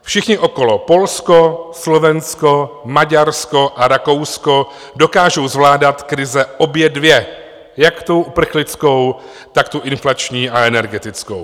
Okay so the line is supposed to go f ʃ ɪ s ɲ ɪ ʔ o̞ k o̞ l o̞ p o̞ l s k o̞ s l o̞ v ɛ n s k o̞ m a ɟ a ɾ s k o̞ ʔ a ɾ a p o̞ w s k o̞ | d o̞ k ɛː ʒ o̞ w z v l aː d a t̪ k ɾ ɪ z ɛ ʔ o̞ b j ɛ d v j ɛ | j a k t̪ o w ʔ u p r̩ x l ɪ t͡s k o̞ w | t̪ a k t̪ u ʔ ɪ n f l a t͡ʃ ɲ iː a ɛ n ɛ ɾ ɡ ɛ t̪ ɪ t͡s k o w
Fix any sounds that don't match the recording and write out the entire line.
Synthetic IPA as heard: f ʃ ɪ x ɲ ɪ ʔ o̞ k o̞ l o̞ p o̞ l s k o̞ s l o̞ v ɛ n s k o̞ m a ɟ a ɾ s k o̞ ʔ a ɾ a k o̞ w s k o̞ | d o̞ k aː ʒ o̞ w z v l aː d a t̪ k ɾ ɪ z ɛ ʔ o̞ b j ɛ d v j ɛ | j a k t̪ o w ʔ u p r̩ x l ɪ t͡s k o̞ w | t̪ a k t̪ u ʔ ɪ n f l a t͡ʃ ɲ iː a ɛ n ɛ ɾ ɡ ɛ t̪ ɪ t͡s k o w